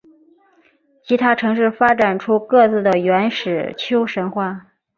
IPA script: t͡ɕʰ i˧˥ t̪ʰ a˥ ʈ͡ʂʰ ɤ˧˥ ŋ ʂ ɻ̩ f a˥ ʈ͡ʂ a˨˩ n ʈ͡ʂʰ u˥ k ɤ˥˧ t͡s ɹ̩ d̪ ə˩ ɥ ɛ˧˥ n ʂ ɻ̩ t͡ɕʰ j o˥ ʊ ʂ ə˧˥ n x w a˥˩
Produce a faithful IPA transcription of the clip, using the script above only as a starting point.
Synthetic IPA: t͡ɕʰ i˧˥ t̪ʰ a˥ ʈ͡ʂʰ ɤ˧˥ ŋ ʂ ɻ̩ f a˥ ʈ͡ʂ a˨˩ n ʈ͡ʂʰ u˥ k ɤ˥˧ t͡s ɹ̩ d̪ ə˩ ɥ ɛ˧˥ n ʂ ɻ̩ t͡ɕʰ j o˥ ʊ ʂ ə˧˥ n x w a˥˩